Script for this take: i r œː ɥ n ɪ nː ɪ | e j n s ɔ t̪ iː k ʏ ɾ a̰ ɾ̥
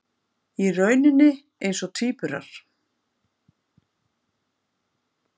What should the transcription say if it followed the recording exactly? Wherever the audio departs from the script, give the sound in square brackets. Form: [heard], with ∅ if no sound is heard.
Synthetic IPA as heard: i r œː ɥ n ɪ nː ɪ | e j n s ɔ [t̪ʰ] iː [p] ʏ ɾ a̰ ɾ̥